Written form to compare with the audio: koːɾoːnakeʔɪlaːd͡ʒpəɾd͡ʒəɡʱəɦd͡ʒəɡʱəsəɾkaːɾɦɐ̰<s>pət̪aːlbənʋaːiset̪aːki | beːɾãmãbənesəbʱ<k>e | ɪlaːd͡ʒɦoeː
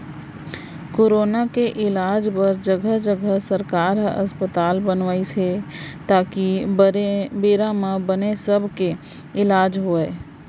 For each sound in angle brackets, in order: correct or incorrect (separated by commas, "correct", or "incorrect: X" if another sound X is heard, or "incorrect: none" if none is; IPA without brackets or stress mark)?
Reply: correct, correct